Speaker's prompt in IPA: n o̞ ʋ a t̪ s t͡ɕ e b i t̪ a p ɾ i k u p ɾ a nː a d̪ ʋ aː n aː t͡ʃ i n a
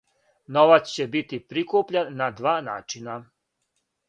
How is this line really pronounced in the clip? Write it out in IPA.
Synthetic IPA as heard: n o̞ ʋ a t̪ s t͡ɕ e b i t̪ i p ɾ i k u p ʎ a nː a d̪ ʋ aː n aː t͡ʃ i n a